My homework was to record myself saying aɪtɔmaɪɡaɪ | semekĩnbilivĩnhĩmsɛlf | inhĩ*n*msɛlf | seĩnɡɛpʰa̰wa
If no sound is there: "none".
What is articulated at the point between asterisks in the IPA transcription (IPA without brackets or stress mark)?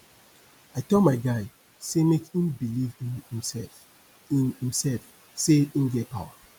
none